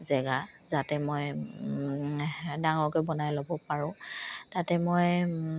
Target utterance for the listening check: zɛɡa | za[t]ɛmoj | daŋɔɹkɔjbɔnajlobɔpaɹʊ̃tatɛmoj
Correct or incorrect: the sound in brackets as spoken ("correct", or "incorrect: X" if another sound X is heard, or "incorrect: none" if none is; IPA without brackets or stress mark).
correct